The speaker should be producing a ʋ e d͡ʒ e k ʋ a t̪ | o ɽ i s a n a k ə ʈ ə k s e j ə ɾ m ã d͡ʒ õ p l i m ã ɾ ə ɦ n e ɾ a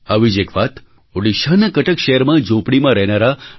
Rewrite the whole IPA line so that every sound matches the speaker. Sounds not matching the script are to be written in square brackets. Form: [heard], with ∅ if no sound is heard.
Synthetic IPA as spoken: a ʋ [i] d͡ʒ e k ʋ a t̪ | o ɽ i [ʃ] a n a k ə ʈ ə k [ʃ] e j ə ɾ m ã d͡ʒ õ p [ɽ] i m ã ɾ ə ɦ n [a] ɾ a